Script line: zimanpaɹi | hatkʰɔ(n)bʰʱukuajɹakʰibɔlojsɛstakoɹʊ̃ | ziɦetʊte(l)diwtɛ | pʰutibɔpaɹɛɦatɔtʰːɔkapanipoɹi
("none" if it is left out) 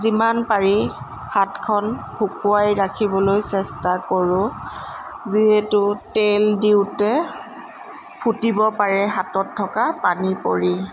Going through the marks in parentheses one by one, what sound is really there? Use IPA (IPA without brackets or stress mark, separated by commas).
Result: n, l